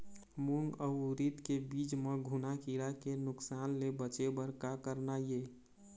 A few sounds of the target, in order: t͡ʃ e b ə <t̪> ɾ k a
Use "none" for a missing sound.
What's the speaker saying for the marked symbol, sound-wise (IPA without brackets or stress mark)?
none